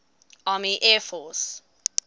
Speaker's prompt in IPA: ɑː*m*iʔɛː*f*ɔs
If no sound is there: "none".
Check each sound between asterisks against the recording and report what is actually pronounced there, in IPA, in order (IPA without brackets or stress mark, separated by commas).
m, f